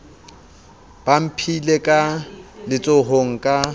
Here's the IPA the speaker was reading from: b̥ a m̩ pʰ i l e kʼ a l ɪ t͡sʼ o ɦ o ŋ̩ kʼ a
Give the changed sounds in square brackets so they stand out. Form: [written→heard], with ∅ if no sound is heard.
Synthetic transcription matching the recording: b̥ a m̩ pʰ i l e kʼ a l ɪ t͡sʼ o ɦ o ŋ̩ kʼ a

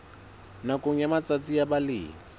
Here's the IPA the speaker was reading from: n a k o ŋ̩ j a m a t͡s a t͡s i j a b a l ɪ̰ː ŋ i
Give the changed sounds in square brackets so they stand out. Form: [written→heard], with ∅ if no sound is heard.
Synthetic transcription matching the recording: n a k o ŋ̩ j a m a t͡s a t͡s i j a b a l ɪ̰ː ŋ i

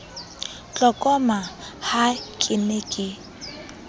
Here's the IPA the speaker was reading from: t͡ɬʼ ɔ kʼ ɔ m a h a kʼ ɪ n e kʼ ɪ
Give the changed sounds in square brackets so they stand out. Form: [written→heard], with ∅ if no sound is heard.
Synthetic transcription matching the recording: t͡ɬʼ ɔ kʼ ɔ m a h a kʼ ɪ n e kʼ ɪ

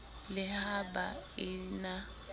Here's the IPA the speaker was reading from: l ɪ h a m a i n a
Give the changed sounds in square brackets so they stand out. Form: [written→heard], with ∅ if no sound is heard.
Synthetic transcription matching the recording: l ɪ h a [m→b] a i n a

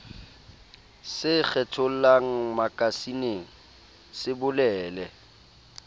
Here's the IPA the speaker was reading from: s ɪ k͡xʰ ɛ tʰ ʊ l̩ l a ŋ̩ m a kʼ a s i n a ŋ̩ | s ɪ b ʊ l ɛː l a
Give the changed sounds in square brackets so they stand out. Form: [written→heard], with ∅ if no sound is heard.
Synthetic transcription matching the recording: s ɪ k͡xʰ ɛ tʰ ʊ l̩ l a ŋ̩ m a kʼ a s i n [a→e] ŋ̩ | s ɪ b ʊ l ɛː l [a→ɛ]

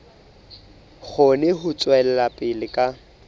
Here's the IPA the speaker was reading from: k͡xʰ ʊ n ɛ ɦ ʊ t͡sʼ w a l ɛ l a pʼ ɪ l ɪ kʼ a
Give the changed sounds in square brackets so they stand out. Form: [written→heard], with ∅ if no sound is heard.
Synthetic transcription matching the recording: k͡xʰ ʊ n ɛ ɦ ʊ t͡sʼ w [a→ɛ] l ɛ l a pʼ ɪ l ɪ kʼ a

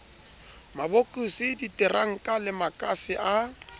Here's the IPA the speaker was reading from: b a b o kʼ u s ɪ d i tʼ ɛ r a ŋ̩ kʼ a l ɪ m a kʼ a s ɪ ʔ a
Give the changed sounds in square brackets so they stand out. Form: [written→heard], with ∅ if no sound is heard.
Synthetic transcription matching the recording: [b→m] a b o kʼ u s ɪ d i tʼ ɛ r a ŋ̩ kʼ a l ɪ m a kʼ a s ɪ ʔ a

